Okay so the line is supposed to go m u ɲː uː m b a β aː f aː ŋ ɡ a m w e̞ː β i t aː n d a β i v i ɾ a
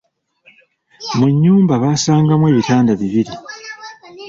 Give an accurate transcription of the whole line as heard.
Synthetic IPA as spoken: m u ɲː uː m b a β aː s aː ŋ ɡ a m w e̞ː β i t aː n d a β i β i ɾ i